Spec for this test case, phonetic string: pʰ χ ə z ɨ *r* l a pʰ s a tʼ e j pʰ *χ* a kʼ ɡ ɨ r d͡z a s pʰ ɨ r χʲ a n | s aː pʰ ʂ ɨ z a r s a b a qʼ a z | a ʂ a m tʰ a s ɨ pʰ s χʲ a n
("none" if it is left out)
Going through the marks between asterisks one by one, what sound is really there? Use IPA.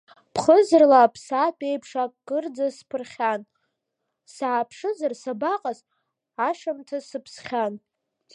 r, ʂ

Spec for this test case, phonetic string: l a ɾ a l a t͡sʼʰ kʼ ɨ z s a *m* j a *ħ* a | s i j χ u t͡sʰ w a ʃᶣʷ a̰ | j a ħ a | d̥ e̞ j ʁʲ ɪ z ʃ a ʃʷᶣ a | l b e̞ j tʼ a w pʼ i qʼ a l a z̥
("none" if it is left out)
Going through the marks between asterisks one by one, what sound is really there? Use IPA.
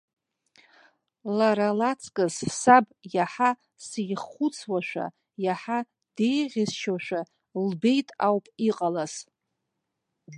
b, ħ

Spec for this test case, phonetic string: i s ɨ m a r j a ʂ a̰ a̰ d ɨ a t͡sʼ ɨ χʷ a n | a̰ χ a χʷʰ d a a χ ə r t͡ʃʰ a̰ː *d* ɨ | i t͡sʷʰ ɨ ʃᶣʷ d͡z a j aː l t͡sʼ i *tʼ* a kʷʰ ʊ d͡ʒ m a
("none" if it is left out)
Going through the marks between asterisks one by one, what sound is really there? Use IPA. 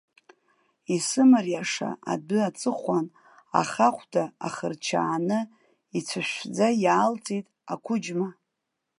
n, tʼ

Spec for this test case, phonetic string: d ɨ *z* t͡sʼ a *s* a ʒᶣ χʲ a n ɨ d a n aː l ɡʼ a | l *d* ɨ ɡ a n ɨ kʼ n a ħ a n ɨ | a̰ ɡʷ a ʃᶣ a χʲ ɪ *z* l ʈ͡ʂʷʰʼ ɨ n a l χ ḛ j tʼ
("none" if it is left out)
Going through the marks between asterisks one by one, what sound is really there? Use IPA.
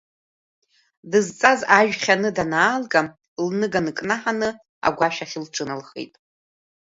z, z, n, none

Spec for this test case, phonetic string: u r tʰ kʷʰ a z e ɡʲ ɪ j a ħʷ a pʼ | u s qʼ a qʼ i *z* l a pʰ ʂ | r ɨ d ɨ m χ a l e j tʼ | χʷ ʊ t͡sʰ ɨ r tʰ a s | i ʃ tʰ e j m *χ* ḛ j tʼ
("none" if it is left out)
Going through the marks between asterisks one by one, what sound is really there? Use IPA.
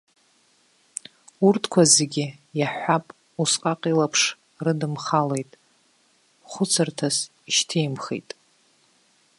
none, χ

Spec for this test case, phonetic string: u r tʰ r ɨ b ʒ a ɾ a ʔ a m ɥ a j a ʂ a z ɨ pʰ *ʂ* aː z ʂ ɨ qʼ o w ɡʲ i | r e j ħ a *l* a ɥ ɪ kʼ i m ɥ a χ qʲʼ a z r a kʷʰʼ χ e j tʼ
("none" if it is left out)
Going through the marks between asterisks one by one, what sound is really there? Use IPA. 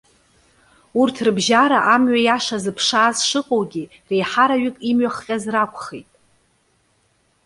ʂ, ɾ

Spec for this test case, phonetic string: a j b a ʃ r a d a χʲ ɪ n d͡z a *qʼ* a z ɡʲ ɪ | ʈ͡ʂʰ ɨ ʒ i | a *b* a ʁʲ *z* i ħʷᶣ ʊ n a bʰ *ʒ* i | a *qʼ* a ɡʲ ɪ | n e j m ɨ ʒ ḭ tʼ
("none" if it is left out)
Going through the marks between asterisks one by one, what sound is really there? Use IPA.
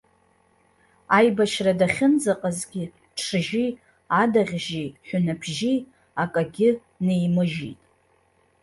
qʼ, d, ʒ, ʒ, kʼ

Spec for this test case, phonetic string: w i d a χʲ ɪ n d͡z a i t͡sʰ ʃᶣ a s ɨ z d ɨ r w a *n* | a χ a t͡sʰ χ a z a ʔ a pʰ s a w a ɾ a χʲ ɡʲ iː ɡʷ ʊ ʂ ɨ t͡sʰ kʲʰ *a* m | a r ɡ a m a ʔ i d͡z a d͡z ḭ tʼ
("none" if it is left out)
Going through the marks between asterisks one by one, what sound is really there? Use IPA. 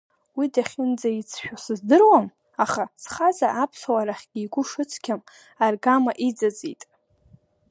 m, a

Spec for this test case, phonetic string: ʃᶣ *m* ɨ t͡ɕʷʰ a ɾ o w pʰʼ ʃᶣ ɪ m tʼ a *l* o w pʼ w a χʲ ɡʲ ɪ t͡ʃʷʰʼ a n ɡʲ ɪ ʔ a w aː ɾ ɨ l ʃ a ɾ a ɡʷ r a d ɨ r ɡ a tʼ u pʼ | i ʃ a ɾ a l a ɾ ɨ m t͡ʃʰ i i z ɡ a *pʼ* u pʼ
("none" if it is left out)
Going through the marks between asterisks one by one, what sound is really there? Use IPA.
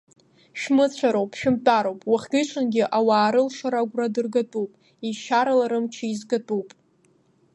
m, ɾ, tʼ

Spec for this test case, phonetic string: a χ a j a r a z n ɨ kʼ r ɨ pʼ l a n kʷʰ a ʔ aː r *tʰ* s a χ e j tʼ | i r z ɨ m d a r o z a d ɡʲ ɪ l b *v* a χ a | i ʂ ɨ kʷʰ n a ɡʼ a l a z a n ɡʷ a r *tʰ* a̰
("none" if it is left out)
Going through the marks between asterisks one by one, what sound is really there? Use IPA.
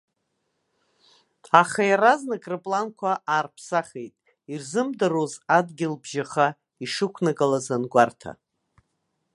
pʰ, ʒ, tʰ

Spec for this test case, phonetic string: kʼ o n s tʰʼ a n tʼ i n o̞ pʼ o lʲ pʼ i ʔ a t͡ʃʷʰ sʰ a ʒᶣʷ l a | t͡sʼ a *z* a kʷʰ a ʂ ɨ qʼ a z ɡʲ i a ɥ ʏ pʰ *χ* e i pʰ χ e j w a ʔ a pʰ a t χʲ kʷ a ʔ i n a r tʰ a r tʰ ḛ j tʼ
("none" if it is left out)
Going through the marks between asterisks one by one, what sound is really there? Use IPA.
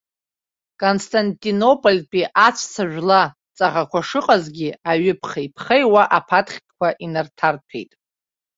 ʁ, χ

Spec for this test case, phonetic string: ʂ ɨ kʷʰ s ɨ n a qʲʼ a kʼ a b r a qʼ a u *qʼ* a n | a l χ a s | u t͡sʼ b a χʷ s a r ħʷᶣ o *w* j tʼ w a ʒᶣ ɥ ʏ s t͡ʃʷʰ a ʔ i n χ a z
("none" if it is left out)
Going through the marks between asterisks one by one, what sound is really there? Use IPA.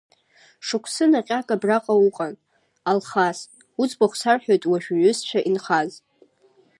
qʼ, none

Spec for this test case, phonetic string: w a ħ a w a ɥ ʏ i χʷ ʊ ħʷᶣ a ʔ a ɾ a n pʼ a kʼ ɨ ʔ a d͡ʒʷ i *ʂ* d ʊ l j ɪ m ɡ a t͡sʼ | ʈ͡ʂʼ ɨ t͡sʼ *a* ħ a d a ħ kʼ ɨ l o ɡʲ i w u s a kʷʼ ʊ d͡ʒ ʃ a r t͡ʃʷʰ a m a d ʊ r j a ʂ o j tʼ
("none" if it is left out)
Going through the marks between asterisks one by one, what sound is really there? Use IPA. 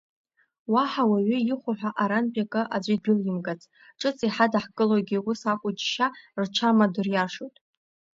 none, i

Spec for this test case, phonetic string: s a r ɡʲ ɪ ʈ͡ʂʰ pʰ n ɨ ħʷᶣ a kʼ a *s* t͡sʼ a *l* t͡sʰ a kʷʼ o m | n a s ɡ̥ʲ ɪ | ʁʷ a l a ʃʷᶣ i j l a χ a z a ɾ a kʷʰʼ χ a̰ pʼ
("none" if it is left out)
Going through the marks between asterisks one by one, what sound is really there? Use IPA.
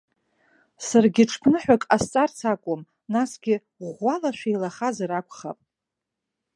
s, r

